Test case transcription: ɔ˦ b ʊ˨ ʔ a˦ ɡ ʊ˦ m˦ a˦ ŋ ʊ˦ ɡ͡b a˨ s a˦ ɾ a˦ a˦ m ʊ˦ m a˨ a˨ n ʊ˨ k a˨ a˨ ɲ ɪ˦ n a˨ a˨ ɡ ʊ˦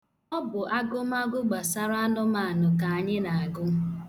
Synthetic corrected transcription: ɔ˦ b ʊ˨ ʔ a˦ ɡ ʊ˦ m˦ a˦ ɡ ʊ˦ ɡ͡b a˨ s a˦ ɾ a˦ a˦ n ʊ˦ m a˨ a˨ n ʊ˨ k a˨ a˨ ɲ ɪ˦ n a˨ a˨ ɡ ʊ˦